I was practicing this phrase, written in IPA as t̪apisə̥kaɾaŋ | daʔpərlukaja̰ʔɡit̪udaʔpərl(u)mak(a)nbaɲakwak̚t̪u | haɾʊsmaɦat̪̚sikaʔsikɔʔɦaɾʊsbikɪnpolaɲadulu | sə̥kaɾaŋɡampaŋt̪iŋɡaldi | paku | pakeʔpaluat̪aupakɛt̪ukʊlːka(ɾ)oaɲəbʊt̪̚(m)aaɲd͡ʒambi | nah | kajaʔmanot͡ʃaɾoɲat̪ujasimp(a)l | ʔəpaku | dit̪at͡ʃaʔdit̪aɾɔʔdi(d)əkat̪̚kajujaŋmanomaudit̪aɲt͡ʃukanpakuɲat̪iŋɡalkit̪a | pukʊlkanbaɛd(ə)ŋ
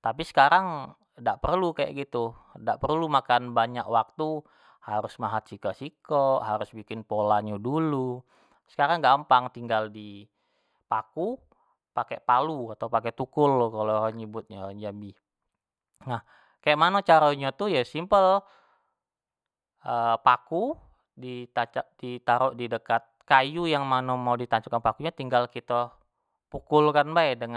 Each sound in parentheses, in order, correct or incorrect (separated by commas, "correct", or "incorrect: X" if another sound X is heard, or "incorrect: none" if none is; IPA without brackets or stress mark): correct, correct, incorrect: l, incorrect: ɲ, incorrect: ə, correct, correct